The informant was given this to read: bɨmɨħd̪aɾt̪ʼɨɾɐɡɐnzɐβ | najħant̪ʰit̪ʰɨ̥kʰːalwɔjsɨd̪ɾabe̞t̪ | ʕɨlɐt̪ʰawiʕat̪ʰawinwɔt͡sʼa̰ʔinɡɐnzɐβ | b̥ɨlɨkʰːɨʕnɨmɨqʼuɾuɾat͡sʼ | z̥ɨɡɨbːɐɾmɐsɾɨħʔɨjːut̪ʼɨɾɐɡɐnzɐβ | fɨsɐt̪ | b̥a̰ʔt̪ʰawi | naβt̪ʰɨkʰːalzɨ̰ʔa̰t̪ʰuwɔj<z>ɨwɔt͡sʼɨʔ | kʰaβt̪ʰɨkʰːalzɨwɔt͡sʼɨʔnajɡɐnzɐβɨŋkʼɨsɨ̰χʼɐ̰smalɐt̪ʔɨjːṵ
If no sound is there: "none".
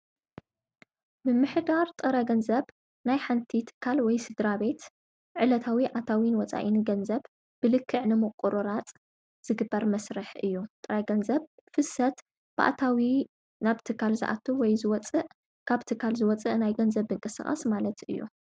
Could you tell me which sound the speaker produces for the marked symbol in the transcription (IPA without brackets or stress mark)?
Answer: z